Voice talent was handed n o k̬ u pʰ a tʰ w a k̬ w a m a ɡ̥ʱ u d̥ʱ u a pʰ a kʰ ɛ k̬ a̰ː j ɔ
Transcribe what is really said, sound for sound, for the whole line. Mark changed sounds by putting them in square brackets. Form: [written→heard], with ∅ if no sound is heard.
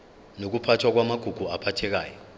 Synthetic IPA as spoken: n o k̬ u pʰ a tʰ w a k̬ w a m a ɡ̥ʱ u [d̥ʱ→ɡ̥ʱ] u a pʰ a [kʰ→tʰ] ɛ k̬ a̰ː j ɔ